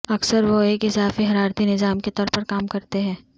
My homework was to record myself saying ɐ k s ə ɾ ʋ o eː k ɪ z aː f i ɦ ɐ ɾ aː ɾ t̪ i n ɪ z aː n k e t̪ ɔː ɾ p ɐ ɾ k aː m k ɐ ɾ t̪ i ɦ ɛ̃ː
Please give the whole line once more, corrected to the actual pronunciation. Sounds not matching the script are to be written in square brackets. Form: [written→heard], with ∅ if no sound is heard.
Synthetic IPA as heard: ɐ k s ə ɾ ʋ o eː k ɪ z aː f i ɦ ɐ ɾ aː ɾ t̪ i n ɪ z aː [n→m] k e t̪ ɔː ɾ p ɐ ɾ k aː m k ɐ ɾ t̪ [i→e] ɦ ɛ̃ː